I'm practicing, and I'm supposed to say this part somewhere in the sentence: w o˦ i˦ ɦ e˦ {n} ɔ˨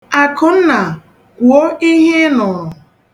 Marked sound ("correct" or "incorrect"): correct